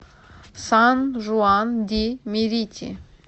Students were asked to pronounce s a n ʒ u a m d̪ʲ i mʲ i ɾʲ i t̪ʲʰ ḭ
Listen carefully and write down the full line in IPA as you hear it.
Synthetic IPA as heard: s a n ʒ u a n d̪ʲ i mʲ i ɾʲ i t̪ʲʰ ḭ